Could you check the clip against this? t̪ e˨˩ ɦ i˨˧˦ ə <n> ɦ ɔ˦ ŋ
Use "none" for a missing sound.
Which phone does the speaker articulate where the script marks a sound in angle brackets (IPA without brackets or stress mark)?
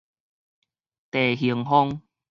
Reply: ŋ